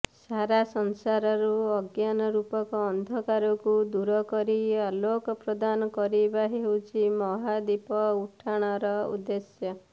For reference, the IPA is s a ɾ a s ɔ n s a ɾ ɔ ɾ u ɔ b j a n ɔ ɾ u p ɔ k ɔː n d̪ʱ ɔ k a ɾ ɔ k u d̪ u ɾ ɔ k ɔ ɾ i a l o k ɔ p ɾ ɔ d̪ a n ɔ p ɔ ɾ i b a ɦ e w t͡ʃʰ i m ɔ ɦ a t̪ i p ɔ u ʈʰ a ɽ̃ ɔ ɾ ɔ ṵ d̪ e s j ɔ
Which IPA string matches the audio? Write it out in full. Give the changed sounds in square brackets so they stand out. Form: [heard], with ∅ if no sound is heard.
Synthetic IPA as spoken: s a ɾ a s ɔ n s a ɾ ɔ ɾ u ɔ [ɡ] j a n ɔ ɾ u p ɔ k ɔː n d̪ʱ ɔ k a ɾ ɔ k u d̪ u ɾ ɔ k ɔ ɾ i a l o k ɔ p ɾ ɔ d̪ a n ɔ [k] ɔ ɾ i b a ɦ e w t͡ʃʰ i m ɔ ɦ a [d̪] i p ɔ u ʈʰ a ɽ̃ ɔ ɾ ɔ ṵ d̪ e s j ɔ